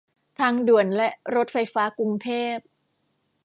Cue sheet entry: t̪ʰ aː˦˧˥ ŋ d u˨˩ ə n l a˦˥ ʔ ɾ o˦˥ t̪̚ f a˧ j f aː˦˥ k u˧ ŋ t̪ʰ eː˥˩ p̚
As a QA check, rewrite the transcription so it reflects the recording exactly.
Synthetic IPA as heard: t̪ʰ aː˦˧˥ ŋ d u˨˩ ə n l ɛ˦˥ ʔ ɾ o˦˥ t̪̚ f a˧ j f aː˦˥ k u˧ ŋ t̪ʰ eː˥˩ p̚